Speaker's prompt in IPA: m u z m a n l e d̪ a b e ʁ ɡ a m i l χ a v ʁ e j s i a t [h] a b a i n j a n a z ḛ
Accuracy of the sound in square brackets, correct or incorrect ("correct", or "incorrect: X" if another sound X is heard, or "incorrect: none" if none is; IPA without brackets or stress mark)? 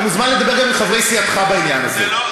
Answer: incorrect: χ